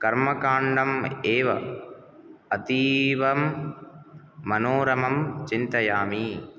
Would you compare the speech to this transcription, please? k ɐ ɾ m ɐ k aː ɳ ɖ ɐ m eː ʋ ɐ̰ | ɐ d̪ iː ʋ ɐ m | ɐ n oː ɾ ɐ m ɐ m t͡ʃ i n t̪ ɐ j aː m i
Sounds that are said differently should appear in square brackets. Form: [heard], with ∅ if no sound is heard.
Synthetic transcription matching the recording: k ɐ ɾ m ɐ k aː ɳ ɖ ɐ m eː ʋ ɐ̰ | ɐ [t̪] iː ʋ ɐ m | ɐ n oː ɾ ɐ m ɐ m t͡ʃ i n t̪ ɐ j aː m i